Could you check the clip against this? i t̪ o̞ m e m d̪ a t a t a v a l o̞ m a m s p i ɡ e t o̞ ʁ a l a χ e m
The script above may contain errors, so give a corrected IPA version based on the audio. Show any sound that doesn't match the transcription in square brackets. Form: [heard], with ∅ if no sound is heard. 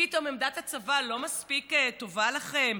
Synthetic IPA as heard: i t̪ o̞ m e m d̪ a t a [t͡s] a v a l o̞ m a [∅] s p i [k] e t o̞ [v] a l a χ e m